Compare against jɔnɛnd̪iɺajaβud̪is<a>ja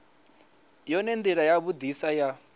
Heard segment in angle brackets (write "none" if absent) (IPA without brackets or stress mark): a